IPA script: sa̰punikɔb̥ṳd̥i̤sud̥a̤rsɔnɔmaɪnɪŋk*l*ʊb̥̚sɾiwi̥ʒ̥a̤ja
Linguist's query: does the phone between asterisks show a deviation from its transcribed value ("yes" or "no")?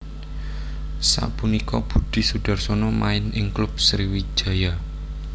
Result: no